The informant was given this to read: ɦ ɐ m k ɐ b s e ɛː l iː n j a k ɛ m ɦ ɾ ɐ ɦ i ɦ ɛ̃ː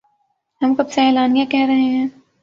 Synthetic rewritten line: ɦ ɐ m k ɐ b s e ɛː l aː n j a k ɛ ɦ ɾ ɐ ɦ e ɦ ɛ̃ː